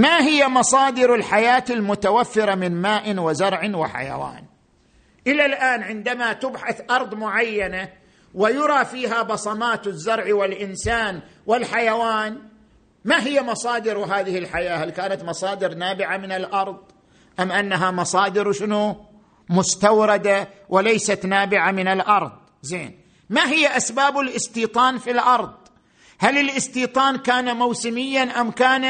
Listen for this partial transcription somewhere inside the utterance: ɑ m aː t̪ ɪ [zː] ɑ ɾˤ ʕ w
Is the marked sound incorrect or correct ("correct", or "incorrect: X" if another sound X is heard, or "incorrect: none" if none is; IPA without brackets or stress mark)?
correct